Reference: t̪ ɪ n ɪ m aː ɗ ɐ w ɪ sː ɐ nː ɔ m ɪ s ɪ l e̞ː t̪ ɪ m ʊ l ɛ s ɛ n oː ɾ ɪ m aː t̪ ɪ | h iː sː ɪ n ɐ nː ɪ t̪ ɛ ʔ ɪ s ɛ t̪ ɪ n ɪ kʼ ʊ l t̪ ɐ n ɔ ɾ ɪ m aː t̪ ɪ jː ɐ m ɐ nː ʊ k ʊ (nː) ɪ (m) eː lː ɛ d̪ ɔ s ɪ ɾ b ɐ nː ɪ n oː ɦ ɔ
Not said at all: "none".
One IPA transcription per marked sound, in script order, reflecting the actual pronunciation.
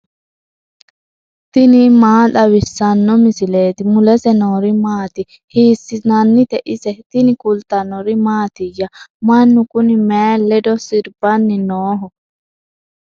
n, m

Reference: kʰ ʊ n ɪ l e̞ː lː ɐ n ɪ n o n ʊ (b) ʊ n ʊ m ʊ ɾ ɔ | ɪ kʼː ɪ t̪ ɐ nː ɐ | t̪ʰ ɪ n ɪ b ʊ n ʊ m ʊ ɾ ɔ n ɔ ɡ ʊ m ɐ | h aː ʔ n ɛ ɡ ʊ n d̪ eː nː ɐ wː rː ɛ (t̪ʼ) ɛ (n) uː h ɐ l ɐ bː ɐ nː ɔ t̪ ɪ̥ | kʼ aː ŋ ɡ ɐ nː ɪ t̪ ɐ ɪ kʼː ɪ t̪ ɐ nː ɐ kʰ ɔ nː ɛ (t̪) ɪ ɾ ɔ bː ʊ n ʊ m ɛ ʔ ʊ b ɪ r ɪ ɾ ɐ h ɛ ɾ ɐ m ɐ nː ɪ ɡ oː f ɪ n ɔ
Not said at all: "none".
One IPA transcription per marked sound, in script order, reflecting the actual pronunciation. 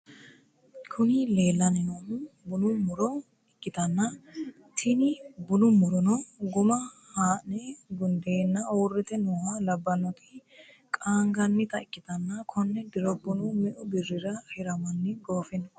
b, t̪, n, d̪

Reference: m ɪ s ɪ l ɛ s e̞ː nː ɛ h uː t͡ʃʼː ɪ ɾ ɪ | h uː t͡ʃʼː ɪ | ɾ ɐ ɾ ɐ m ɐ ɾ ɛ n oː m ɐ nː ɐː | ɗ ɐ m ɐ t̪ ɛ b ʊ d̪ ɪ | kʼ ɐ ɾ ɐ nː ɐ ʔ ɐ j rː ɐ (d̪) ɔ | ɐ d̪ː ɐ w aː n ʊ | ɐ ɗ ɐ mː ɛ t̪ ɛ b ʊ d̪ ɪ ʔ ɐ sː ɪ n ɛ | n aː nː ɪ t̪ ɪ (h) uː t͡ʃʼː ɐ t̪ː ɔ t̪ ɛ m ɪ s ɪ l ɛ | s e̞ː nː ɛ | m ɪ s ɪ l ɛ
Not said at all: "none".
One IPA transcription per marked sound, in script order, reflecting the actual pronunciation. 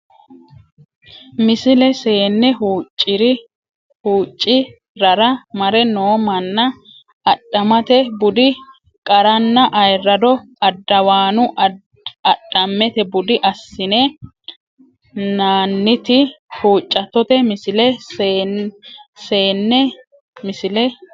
d̪, h

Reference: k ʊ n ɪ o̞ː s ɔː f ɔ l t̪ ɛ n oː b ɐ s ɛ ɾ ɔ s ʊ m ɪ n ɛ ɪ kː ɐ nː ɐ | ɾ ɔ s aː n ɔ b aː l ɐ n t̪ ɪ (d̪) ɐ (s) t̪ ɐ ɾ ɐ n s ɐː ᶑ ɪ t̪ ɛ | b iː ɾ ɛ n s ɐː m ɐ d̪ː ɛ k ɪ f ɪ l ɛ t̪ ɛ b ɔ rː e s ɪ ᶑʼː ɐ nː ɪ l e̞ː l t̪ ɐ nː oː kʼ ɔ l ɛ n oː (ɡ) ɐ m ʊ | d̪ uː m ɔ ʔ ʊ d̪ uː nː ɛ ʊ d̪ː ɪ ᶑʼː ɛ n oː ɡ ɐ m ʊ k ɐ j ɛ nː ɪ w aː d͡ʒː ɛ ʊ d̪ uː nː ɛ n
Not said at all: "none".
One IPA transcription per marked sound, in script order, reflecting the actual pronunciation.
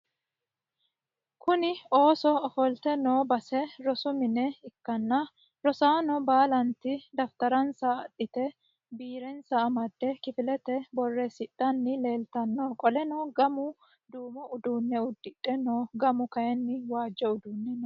d̪, f, ɡ

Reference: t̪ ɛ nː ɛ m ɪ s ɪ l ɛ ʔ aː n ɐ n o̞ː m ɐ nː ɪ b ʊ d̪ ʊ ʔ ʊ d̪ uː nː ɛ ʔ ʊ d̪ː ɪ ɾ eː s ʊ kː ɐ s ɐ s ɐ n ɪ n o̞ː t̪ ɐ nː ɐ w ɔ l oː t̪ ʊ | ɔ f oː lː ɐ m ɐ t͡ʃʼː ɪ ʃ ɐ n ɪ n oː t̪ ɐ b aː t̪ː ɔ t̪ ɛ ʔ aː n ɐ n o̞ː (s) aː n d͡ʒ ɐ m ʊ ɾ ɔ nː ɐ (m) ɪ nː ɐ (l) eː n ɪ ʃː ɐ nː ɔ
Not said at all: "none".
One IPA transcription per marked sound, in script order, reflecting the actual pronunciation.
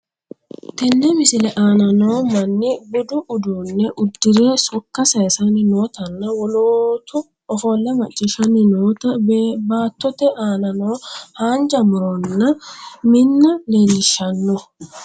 h, m, l

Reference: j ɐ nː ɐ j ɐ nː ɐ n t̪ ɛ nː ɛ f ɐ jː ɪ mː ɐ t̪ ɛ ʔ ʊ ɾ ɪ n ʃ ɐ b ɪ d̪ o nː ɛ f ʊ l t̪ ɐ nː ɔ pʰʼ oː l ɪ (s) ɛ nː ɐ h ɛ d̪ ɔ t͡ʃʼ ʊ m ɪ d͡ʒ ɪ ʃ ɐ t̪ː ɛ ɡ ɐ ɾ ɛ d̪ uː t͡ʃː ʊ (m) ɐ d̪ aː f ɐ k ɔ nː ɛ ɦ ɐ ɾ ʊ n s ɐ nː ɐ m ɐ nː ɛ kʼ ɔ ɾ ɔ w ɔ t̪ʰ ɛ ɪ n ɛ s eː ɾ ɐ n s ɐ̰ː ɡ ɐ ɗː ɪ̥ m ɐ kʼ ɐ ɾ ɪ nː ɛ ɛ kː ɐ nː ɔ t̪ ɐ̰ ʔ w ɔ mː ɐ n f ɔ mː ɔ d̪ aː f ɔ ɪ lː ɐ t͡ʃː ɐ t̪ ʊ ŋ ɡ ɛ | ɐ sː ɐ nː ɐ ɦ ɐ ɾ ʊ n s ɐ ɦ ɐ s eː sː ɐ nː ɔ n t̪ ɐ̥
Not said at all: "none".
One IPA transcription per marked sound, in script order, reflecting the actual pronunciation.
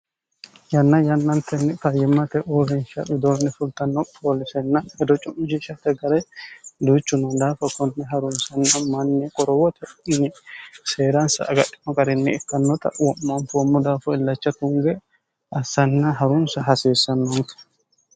s, n

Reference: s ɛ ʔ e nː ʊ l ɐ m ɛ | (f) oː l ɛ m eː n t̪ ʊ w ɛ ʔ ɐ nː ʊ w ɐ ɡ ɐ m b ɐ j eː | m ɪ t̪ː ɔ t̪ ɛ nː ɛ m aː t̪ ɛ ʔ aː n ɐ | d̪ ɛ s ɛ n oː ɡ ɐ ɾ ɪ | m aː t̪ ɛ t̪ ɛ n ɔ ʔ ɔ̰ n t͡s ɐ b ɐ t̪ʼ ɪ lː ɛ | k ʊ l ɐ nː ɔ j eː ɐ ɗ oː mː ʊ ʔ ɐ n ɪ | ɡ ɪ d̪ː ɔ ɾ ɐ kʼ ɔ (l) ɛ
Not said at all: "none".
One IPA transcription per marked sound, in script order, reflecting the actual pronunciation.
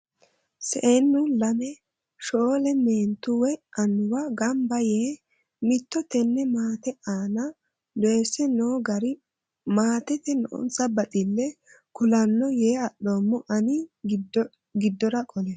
ʃ, l

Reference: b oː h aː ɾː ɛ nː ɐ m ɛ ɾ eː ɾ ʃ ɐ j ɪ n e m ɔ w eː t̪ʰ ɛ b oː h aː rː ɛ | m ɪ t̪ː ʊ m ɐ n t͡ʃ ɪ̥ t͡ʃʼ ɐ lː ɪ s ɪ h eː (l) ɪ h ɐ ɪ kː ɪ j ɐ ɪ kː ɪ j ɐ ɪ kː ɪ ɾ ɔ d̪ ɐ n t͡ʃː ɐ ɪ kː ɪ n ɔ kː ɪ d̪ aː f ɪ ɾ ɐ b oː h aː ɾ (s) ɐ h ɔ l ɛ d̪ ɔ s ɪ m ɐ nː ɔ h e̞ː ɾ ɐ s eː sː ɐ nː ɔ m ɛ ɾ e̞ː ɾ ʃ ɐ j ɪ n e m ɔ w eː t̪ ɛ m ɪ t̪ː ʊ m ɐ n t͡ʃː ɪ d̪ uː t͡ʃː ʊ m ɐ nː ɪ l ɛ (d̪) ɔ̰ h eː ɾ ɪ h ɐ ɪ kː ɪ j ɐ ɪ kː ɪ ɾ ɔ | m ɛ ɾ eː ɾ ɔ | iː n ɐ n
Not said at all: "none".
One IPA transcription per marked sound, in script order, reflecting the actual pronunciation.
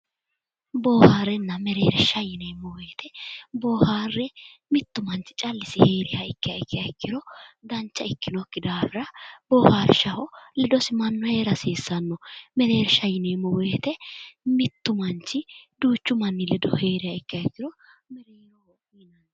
ɾ, ʃ, d̪

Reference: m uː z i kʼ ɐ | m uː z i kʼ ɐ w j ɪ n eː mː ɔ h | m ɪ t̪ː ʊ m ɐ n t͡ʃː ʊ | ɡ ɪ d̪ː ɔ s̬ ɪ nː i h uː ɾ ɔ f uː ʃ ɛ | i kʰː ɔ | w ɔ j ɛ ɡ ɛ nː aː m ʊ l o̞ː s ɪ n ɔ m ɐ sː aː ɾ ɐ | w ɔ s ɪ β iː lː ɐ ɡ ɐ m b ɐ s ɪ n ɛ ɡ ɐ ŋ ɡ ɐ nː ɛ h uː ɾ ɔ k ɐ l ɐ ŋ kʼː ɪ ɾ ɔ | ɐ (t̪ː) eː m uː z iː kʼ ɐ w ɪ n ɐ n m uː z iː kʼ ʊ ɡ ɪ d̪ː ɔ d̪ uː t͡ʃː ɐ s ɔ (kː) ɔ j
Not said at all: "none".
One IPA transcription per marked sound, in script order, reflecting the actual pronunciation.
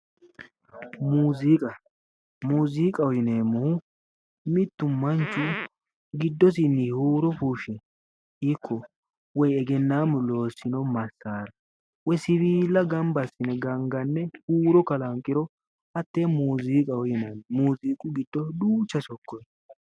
t̪ː, kː

